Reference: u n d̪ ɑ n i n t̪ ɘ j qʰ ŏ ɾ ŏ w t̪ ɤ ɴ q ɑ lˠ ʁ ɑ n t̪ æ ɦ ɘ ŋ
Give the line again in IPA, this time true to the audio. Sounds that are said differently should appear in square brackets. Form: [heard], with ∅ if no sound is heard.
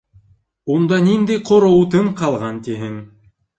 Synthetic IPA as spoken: u n d̪ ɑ n i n [d̪] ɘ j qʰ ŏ ɾ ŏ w t̪ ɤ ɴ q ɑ lˠ ʁ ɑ n t̪ [i] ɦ ɘ ŋ